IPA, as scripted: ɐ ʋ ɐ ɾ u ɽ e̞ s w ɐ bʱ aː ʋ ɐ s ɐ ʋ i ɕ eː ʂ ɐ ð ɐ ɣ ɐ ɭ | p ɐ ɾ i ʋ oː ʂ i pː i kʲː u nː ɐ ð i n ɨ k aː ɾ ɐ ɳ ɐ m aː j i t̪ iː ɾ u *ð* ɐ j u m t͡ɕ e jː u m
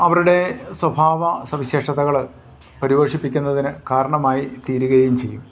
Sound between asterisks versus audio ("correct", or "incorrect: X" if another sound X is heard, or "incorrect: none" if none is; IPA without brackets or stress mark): incorrect: ɣ